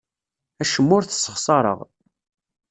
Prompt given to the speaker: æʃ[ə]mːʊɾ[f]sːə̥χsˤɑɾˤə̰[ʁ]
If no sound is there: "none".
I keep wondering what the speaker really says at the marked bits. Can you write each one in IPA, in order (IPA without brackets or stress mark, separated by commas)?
ə, θ, ʁ